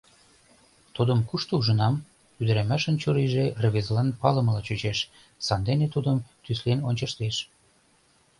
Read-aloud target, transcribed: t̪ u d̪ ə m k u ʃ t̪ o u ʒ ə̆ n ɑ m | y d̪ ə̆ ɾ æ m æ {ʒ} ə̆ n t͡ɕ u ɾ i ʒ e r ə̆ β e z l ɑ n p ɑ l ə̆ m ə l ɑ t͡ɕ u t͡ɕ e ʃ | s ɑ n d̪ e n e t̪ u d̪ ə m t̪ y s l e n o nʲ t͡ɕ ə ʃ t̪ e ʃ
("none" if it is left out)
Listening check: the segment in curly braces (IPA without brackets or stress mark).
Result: ʃ